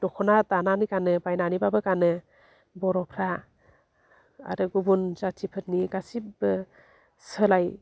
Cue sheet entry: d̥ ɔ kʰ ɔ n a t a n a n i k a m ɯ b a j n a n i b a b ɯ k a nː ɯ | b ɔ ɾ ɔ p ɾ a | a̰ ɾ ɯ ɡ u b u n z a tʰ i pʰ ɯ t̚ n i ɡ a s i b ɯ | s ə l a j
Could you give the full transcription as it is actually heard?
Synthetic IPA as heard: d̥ ɔ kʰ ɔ n a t a n a n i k a n ɯ b a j n a n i b a b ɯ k a n ɯ | b ɔ ɾ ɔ pʰ ɾ a | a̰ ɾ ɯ ɡ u b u n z a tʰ i pʰ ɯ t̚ n i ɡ a s i b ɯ | s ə l a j